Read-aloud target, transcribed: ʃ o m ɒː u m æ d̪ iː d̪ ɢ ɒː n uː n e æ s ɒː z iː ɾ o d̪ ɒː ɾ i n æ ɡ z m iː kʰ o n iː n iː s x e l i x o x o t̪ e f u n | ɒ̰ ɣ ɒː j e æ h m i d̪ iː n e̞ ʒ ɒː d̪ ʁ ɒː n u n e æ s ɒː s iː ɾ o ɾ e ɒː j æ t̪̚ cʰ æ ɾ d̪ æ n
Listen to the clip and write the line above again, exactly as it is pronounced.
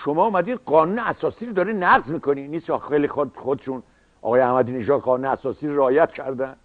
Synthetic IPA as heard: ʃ o m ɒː u m æ d̪ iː d̪ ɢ ɒː n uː n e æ s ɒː s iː ɾ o d̪ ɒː ɾ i n æ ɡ z m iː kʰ o n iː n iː s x e l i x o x o d̪ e ʃ u n | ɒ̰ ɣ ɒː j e æ h m æ d̪ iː n e̞ ʒ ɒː d̪ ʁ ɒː n u n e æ s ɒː s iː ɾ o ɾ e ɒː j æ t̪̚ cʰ æ ɾ d̪ æ n